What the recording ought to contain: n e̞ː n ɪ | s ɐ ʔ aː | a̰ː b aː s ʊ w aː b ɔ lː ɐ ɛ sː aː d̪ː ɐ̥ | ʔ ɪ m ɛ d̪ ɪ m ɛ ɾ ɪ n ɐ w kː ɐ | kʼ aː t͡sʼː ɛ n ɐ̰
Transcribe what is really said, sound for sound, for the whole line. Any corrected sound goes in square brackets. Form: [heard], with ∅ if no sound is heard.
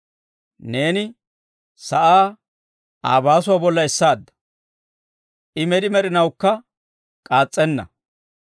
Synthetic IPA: n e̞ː n ɪ | s ɐ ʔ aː | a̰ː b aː s ʊ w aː b ɔ lː ɐ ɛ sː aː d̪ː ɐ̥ | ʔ ɪ m ɛ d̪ ɪ m ɛ ɾ ɪ n ɐ w kː ɐ | kʼ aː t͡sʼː ɛ [nː] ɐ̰